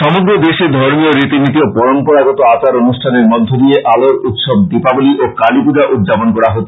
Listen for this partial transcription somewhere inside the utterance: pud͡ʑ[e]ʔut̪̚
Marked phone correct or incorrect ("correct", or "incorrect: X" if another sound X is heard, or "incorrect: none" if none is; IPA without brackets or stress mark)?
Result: incorrect: a